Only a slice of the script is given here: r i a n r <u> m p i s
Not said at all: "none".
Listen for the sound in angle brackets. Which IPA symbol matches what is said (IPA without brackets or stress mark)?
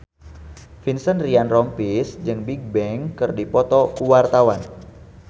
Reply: ɔ